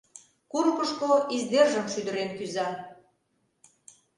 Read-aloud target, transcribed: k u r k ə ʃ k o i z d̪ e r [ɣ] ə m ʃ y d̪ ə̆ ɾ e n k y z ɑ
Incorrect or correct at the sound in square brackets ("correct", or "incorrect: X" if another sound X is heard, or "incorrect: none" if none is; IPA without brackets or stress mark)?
incorrect: ʒ